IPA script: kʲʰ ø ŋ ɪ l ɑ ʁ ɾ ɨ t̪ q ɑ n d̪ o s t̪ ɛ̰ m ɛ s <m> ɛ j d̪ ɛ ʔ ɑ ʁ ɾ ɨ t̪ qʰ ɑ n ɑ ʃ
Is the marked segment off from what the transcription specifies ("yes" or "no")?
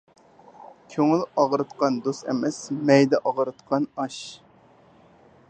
no